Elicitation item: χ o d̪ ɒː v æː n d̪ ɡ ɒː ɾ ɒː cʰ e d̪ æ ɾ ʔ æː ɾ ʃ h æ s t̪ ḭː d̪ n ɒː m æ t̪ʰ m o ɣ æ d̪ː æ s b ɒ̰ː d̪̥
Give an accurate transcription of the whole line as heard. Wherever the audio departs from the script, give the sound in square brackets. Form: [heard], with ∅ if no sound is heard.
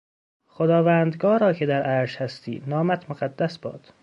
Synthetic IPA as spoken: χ o d̪ ɒː v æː n d̪ ɡ ɒː ɾ ɒː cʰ e d̪ æ ɾ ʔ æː ɾ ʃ h æ s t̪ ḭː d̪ n ɒː m æ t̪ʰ m o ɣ æ d̪ː æ s b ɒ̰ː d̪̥

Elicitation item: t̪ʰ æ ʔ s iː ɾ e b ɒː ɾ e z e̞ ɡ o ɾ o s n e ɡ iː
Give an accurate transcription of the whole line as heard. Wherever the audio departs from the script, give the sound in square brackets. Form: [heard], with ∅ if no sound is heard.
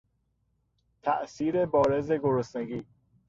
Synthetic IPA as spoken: t̪ʰ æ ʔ s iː ɾ e b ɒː ɾ e z e̞ ɡ o ɾ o s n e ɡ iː

